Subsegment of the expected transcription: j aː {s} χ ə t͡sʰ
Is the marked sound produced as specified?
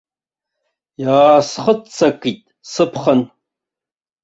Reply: yes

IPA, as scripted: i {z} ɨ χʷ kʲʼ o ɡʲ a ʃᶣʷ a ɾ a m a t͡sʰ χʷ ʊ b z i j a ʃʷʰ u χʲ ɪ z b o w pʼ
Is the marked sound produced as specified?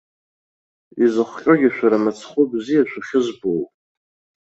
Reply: yes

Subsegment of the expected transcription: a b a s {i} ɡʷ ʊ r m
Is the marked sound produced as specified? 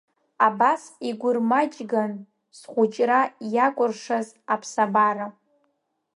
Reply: yes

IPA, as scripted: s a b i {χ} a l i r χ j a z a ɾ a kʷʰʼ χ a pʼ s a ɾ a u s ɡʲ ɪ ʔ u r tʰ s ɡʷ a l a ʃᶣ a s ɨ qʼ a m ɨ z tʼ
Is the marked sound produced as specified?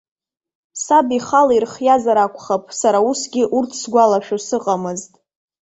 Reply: yes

